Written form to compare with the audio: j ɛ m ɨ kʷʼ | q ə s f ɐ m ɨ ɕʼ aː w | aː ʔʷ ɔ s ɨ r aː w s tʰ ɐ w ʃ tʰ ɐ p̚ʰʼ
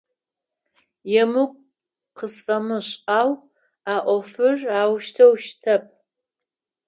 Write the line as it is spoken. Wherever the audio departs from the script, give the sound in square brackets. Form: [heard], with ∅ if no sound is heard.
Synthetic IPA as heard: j ɛ m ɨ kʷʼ | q ə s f ɐ m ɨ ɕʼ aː w | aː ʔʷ ɔ [f] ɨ r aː w [ʃ] tʰ ɐ w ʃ tʰ ɐ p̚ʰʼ